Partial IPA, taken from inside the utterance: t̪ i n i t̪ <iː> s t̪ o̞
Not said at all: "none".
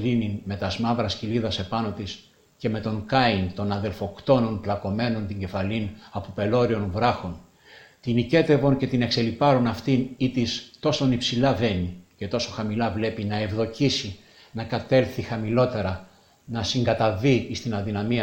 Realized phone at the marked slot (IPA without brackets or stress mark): i